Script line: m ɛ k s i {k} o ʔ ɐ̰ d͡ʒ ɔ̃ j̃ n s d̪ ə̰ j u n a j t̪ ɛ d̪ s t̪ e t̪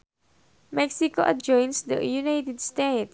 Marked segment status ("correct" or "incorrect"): correct